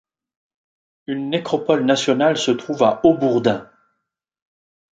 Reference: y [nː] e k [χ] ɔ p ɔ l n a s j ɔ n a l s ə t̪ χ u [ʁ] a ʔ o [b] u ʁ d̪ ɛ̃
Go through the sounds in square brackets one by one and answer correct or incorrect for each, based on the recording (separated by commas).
correct, correct, incorrect, correct